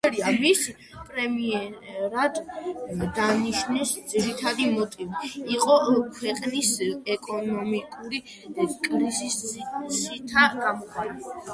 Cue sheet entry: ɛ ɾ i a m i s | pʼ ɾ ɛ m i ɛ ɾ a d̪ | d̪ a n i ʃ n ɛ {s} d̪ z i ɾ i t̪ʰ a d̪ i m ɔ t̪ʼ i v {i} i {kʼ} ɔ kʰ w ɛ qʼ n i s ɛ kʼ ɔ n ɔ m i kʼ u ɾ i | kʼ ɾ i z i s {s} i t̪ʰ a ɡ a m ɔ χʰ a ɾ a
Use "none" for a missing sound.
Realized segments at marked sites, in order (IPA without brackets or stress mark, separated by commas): s, i, qʼ, s